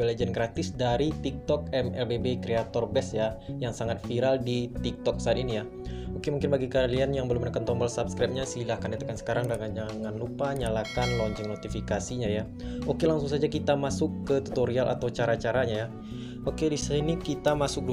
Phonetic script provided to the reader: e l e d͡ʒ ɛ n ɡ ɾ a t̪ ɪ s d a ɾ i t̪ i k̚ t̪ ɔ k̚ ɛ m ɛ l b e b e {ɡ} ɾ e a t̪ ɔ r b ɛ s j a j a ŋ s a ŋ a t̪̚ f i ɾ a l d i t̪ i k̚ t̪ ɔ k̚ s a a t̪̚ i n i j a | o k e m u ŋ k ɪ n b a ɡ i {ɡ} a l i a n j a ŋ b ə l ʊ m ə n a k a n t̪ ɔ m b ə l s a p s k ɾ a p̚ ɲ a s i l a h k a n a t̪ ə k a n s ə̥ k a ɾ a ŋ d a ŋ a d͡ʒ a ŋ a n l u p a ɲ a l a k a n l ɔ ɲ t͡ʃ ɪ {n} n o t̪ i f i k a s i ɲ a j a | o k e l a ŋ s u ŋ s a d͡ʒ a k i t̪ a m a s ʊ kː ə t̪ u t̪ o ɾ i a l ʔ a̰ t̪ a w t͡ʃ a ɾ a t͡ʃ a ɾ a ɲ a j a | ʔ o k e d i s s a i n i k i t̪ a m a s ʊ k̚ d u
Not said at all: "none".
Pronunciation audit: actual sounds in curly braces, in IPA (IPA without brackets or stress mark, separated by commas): k, k, ŋ